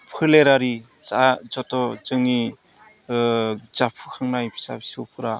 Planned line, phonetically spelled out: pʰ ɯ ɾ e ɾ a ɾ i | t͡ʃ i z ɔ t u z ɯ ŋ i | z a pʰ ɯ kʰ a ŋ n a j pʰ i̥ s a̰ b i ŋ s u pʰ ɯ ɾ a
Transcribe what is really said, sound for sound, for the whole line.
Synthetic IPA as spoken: pʰ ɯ l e ɾ a ɾ i | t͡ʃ a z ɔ t ɔ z ɯ ŋ i | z a pʰ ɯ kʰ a ŋ n a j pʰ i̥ s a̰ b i s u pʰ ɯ ɾ a